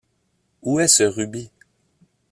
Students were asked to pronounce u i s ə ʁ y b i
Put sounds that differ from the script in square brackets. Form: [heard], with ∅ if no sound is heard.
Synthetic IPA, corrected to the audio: u [ɛ] s ə ʁ y b i